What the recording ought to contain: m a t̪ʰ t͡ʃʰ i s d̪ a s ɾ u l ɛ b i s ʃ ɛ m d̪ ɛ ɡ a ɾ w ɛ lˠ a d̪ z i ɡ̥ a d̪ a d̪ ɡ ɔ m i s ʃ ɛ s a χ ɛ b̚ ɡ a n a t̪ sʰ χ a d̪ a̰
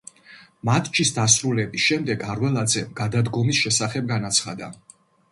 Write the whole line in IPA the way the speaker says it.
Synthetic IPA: m a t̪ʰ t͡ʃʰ i s d̪ a s ɾ u l ɛ b i s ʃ ɛ m d̪ ɛ ɡ a ɾ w ɛ lˠ a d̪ z ɛ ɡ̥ a d̪ a d̪ ɡ ɔ m i s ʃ ɛ s a χ ɛ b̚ ɡ a n a t̪ sʰ χ a d̪ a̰